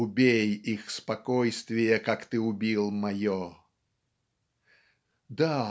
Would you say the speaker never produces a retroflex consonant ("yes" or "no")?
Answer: yes